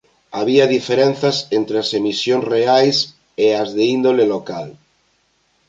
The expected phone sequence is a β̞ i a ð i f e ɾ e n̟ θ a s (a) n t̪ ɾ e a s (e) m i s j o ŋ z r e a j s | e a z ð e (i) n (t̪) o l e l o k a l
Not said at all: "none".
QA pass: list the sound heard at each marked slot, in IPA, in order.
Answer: e, e, i, d̪

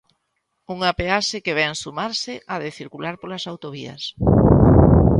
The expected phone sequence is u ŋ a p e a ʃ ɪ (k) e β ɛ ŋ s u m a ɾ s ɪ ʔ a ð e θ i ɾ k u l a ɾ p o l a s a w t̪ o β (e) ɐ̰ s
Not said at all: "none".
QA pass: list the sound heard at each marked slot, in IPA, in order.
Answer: k, i

